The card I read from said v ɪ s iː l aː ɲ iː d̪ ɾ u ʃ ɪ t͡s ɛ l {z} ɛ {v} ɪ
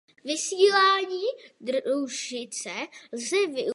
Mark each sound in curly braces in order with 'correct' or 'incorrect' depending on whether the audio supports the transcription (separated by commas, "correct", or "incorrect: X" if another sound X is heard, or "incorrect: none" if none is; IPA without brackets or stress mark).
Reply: correct, correct